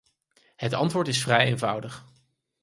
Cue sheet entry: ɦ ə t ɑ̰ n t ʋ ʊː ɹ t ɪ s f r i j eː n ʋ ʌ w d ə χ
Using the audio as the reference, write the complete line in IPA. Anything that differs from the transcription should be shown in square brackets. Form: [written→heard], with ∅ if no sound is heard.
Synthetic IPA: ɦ ə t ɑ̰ n t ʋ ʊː ɹ t ɪ s f r [i→ɛ] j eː n [ʋ→v] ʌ w d ə χ